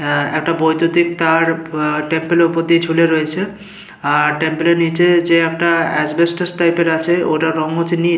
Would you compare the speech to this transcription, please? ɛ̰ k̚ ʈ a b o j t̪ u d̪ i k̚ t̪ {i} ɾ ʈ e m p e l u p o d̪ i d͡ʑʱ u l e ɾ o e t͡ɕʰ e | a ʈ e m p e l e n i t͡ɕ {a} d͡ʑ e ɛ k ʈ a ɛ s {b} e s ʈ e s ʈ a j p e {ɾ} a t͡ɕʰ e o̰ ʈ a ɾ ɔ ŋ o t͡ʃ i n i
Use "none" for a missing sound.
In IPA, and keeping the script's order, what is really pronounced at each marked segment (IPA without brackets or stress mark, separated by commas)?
a, e, b, ɾ